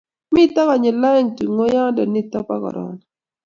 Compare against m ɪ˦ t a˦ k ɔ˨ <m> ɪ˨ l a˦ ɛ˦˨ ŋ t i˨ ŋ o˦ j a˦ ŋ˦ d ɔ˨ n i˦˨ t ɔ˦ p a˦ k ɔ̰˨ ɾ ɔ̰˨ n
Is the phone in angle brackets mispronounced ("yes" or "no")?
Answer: yes